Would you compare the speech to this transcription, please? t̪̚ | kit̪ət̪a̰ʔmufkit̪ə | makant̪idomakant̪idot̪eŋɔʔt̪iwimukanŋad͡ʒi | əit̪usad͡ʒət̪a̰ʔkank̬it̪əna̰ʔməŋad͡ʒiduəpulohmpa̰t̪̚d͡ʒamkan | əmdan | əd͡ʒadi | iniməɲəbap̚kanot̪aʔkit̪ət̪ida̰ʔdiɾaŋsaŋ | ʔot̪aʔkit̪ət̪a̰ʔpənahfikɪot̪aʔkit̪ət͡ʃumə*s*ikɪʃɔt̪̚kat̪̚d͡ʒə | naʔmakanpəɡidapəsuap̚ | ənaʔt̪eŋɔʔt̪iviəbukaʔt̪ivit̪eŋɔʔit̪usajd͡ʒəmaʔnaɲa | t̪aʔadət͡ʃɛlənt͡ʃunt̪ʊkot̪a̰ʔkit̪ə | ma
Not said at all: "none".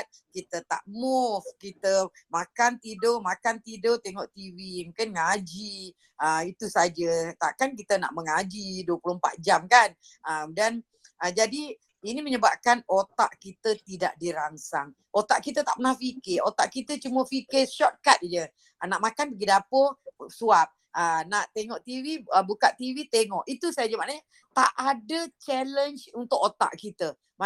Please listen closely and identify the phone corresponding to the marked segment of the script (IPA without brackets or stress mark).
f